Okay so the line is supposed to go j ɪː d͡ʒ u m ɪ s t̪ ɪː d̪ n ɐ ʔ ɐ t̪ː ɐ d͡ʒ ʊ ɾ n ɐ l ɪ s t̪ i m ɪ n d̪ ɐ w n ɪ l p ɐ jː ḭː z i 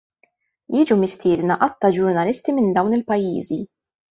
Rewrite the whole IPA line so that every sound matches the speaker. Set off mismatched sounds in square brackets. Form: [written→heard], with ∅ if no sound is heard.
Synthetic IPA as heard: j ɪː d͡ʒ u m ɪ s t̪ ɪː d̪ n ɐ ʔ ɐ t̪ː ɐ d͡ʒ ʊ ɾ n ɐ l ɪ s t̪ i m ɪ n d̪ ɐ w n ɪ l p ɐ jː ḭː z i

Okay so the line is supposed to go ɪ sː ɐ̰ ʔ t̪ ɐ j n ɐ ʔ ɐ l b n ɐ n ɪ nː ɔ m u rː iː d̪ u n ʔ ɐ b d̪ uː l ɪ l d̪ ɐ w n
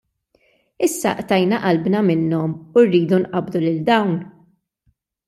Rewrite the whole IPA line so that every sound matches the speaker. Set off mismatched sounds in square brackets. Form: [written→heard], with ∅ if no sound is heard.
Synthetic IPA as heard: ɪ sː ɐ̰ ʔ t̪ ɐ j n ɐ ʔ ɐ l b n ɐ [n→m] ɪ nː ɔ m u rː iː d̪ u n ʔ ɐ b d̪ [uː→u] l ɪ l d̪ ɐ w n

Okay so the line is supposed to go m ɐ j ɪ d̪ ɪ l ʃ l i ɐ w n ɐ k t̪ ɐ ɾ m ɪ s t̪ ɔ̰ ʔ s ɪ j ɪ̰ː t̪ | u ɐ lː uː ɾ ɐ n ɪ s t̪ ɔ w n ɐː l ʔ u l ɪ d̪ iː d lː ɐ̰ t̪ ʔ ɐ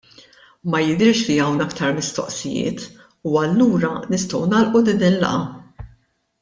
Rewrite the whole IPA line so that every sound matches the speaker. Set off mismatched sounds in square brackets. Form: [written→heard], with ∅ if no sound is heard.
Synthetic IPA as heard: m ɐ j ɪ d̪ ɪ [l→ɾ] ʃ l i ɐ w n ɐ k t̪ ɐ ɾ m ɪ s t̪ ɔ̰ ʔ s ɪ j ɪ̰ː t̪ | u ɐ lː uː ɾ ɐ n ɪ s t̪ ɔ w n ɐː l ʔ u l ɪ d̪ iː [d→n] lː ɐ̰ [t̪→∅] ʔ ɐ

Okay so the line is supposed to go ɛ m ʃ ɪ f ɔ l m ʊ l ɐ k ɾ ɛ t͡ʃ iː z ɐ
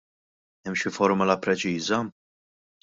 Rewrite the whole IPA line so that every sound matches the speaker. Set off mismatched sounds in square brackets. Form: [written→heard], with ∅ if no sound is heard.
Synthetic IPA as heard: ɛ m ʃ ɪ f ɔ [l→ɾ] m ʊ l ɐ [k→p] ɾ ɛ t͡ʃ iː z ɐ

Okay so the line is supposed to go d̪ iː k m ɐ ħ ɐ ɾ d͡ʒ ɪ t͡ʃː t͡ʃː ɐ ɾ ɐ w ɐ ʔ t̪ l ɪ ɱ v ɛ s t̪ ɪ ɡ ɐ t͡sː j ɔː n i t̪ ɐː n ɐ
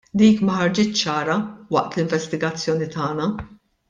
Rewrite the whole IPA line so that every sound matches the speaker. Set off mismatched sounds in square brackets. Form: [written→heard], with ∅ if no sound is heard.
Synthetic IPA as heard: d̪ iː k m ɐ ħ ɐ ɾ d͡ʒ ɪ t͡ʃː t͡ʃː [ɐ→ɐː] ɾ ɐ w ɐ ʔ t̪ l ɪ ɱ v ɛ s t̪ ɪ ɡ ɐ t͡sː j ɔː n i t̪ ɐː n ɐ

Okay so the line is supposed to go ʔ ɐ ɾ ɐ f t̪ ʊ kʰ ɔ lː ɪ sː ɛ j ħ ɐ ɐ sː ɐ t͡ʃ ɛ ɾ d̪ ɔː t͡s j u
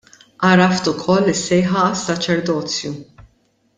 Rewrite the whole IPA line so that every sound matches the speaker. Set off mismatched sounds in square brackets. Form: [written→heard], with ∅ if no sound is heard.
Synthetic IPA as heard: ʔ ɐ ɾ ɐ f t̪ ʊ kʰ ɔ lː ɪ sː ɛ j ħ ɐ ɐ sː ɐ t͡ʃ ɛ ɾ d̪ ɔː t͡s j u

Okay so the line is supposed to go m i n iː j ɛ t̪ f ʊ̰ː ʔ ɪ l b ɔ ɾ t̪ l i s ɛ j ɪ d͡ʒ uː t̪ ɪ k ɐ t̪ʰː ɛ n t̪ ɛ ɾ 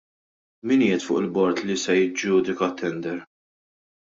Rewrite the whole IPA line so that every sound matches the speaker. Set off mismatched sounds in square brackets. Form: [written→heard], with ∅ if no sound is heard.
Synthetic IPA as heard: m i n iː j ɛ t̪ f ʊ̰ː ʔ ɪ l b ɔ ɾ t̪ l i s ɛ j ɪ d͡ʒ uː [t̪→d̪] ɪ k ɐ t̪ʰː ɛ n [t̪→d̪] ɛ ɾ

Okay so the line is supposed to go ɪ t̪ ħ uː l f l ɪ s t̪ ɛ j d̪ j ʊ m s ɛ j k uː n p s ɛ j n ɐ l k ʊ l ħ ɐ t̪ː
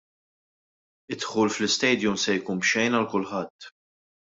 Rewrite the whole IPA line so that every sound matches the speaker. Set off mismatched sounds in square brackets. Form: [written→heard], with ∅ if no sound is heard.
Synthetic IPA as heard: ɪ t̪ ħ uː l f l ɪ s t̪ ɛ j d̪ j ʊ m s ɛ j k uː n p [s→ʃ] ɛ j n ɐ l k ʊ l ħ ɐ t̪ː

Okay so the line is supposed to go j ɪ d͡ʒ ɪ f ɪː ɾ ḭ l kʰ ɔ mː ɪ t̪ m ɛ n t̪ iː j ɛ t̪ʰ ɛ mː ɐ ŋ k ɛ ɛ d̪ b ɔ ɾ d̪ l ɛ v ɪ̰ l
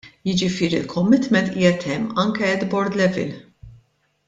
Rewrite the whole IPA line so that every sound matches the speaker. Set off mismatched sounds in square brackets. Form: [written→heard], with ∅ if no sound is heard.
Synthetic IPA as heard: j ɪ d͡ʒ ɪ f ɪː ɾ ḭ l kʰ ɔ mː ɪ t̪ m ɛ n t̪ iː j ɛ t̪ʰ ɛ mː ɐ ŋ k ɛ ɛ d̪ b ɔ ɾ d̪ l ɛ v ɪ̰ l

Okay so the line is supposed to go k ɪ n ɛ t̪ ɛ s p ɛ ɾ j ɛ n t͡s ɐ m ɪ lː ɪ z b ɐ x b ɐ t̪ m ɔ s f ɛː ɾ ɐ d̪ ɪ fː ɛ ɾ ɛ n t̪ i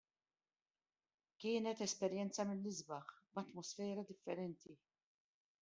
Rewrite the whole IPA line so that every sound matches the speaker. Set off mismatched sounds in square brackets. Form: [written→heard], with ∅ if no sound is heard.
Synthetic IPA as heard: k [ɪ→ɪː] n ɛ t̪ ɛ s p ɛ ɾ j ɛ n t͡s ɐ m ɪ lː ɪ z b ɐ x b ɐ t̪ m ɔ s f ɛː ɾ ɐ d̪ ɪ fː ɛ ɾ ɛ n t̪ i

